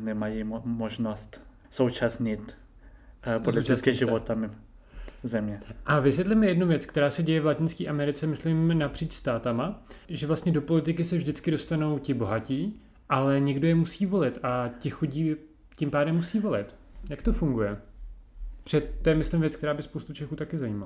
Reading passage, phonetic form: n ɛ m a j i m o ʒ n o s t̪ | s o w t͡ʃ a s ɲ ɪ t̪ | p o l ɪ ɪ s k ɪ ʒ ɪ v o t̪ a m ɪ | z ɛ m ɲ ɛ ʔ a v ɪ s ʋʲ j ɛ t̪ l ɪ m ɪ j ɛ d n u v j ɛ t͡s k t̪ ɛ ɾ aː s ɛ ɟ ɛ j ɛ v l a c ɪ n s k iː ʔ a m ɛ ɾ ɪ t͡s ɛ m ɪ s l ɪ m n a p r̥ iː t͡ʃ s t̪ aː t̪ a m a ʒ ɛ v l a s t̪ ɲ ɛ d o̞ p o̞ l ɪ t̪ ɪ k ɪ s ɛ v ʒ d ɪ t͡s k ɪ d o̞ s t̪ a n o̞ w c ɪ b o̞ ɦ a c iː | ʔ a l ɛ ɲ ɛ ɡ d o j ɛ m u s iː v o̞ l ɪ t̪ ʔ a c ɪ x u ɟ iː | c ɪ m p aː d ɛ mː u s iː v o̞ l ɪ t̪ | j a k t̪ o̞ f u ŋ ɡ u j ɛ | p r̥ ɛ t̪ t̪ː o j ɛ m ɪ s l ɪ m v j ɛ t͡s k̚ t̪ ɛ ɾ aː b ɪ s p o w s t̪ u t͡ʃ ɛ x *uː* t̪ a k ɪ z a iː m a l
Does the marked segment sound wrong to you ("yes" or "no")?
no